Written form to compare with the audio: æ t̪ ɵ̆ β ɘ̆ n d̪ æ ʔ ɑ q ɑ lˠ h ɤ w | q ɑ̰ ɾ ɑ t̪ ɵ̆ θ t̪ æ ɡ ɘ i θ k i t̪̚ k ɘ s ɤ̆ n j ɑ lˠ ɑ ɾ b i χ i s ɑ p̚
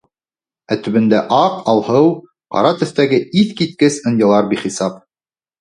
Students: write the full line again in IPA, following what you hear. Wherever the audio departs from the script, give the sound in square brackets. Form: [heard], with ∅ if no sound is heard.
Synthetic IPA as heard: æ t̪ ɵ̆ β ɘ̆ n d̪ æ ʔ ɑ q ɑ lˠ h ɤ w | q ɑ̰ ɾ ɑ t̪ ɵ̆ θ t̪ æ ɡ ɘ i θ k i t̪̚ k ɘ s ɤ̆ n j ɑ lˠ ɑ ɾ b i χ i s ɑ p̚